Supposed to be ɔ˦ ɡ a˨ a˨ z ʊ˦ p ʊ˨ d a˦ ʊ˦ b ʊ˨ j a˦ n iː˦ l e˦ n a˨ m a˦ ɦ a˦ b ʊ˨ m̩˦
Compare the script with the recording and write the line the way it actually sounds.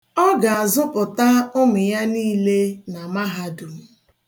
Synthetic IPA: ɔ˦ ɡ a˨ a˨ z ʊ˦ p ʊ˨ t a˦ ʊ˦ m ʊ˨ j a˦ n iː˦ l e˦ n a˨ m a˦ ɦ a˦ d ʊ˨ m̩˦